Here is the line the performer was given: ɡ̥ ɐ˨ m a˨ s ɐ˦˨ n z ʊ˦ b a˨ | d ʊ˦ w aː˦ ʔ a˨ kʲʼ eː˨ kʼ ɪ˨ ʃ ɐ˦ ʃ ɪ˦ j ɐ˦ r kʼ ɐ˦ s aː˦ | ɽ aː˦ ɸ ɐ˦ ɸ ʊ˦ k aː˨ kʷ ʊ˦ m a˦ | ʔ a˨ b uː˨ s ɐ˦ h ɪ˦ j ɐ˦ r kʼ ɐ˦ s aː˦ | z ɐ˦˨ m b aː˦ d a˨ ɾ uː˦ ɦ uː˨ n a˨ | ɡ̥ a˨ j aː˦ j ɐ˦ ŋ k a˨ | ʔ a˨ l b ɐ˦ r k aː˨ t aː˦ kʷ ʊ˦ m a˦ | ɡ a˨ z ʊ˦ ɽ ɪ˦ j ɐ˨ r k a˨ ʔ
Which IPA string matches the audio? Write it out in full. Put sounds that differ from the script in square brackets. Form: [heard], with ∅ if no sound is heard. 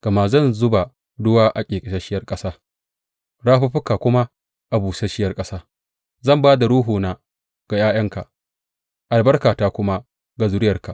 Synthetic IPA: ɡ̥ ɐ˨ m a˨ [z] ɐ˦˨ n z ʊ˦ b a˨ | d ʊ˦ w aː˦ ʔ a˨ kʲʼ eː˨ kʼ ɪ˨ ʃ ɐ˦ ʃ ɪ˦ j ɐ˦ r kʼ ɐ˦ s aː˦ | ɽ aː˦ ɸ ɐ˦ ɸ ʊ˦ k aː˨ kʷ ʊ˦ m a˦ | ʔ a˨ b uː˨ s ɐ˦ [ʃ] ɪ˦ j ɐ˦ r kʼ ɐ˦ s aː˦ | z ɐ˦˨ m b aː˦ d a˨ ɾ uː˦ ɦ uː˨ n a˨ | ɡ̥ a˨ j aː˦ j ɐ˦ ŋ k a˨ | ʔ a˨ l b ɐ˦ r k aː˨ t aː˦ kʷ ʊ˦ m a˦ | ɡ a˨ z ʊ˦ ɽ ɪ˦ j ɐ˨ r k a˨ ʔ